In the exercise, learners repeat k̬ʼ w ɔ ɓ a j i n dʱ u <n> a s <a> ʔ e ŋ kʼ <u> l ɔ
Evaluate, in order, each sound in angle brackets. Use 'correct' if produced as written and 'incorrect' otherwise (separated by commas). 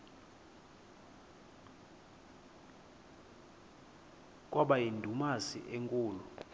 incorrect, incorrect, incorrect